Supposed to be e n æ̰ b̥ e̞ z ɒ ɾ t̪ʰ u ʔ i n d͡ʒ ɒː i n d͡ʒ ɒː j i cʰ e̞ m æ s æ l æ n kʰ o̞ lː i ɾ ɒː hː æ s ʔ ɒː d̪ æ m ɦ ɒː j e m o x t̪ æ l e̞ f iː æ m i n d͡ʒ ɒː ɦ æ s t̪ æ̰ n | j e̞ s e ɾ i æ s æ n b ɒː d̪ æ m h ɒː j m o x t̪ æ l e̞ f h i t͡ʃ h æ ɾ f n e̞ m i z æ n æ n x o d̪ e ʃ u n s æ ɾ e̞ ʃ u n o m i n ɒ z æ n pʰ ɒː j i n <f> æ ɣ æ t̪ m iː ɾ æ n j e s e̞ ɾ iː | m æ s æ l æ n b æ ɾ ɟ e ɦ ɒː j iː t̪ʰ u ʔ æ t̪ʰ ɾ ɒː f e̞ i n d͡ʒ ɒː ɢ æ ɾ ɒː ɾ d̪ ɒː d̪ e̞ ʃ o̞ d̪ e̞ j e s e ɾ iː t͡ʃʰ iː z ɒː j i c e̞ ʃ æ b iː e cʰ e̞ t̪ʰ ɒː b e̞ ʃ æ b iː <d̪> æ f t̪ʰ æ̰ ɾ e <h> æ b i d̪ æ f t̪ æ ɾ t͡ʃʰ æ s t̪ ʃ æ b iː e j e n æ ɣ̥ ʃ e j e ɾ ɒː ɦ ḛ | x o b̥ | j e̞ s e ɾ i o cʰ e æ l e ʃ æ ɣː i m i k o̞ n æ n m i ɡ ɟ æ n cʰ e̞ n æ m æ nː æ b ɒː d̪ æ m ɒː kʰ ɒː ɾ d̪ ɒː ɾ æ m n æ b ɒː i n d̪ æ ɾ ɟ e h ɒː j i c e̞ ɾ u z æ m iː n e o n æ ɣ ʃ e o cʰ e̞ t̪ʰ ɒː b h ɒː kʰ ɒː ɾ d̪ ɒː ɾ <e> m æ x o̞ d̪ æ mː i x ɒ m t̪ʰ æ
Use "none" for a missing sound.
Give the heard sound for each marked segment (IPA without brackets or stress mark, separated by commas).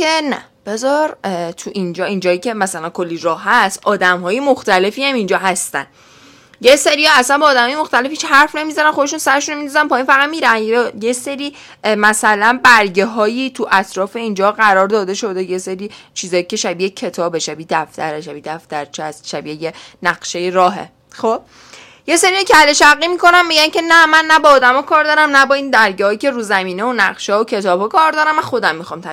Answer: f, d̪, ʃ, æ